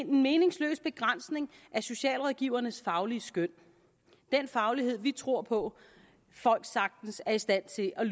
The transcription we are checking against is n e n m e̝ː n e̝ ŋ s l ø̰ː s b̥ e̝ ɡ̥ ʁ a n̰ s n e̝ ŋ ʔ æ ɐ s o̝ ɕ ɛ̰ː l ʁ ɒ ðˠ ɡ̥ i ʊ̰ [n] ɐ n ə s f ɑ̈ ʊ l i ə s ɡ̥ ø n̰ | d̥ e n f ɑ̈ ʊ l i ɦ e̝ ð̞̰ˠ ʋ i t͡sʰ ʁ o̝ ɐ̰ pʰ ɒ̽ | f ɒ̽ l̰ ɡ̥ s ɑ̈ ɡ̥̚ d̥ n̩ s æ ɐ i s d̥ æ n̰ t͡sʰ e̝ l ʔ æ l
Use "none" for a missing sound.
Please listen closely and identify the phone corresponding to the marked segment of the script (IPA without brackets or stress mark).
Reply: none